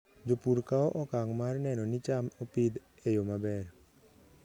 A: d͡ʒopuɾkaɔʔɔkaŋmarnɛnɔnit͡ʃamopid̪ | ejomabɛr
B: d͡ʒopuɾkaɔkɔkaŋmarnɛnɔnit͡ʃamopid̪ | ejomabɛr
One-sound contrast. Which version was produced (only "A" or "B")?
A